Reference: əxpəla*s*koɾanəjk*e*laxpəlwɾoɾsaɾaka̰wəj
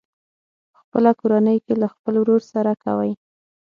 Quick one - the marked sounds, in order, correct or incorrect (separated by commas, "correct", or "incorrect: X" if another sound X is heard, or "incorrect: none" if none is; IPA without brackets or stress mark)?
incorrect: none, correct